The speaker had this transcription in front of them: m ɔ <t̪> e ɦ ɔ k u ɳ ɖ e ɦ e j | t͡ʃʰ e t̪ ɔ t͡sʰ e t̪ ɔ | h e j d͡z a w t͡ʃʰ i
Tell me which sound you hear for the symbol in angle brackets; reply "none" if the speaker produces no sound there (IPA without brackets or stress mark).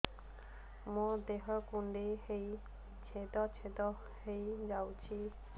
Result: d̪